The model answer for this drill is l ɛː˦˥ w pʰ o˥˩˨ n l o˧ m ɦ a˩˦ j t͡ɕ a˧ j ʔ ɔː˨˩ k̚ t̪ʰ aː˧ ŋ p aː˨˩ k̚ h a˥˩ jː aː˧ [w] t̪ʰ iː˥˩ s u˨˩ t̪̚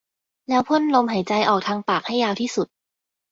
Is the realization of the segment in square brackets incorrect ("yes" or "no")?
no